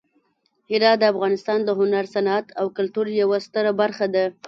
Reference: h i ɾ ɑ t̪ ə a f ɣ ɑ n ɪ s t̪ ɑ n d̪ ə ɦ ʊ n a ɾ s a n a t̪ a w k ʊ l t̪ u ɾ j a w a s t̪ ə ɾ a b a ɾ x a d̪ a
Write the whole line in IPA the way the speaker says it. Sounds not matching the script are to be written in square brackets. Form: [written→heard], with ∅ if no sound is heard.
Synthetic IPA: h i ɾ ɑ [t̪→d̪] ə a f ɣ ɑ n ɪ s t̪ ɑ n d̪ ə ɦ ʊ n a ɾ s a n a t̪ a w k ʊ l t̪ u ɾ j a w a s t̪ ə ɾ a b a ɾ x a d̪ a